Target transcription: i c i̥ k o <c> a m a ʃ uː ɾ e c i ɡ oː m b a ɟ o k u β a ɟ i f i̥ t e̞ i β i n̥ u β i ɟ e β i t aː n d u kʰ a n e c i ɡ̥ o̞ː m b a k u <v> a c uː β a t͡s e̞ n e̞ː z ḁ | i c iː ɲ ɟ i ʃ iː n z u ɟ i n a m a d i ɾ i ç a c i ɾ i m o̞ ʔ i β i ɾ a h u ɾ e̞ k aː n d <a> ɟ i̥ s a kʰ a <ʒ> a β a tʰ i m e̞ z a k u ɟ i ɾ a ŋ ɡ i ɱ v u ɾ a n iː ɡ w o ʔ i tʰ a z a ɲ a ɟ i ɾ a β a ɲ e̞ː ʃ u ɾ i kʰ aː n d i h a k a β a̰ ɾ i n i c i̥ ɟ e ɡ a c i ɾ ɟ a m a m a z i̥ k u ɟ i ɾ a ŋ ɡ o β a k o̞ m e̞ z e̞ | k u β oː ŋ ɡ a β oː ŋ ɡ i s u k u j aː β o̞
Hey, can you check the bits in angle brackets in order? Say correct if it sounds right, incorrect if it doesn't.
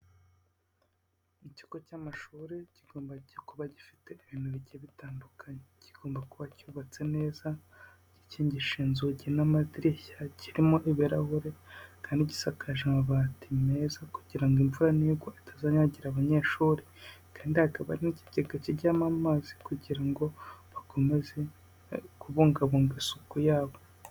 correct, incorrect, incorrect, correct

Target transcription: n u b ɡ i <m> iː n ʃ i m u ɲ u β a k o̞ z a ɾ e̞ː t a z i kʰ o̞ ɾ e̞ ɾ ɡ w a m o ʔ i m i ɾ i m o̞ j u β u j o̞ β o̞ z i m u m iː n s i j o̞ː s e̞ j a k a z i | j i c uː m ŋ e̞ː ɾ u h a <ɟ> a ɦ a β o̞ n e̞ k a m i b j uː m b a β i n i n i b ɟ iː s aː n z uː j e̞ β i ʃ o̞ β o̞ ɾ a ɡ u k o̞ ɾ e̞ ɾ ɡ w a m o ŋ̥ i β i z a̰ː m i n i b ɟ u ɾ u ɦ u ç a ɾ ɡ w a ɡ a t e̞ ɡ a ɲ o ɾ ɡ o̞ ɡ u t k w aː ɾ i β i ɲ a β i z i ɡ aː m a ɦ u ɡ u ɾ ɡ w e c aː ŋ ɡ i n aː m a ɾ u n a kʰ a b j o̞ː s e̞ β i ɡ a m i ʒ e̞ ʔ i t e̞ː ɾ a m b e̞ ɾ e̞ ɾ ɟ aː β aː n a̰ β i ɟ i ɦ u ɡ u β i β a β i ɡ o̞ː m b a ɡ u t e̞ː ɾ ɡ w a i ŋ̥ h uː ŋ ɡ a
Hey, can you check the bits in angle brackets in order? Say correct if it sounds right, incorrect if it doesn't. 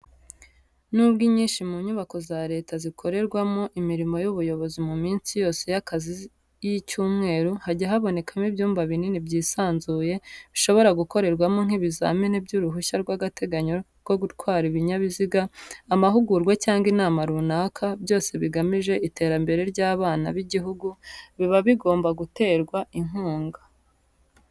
incorrect, correct

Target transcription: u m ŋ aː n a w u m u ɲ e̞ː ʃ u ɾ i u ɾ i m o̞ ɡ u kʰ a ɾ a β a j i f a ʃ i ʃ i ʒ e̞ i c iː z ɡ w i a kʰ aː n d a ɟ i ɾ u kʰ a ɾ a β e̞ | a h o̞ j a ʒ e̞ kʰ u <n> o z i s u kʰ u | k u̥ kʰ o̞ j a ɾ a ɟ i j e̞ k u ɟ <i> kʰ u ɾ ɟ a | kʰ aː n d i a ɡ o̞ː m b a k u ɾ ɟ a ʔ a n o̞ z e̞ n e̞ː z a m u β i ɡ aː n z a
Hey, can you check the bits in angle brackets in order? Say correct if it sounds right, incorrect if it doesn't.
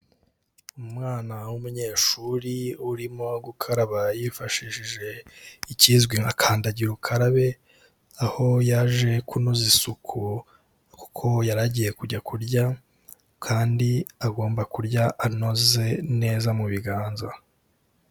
correct, incorrect

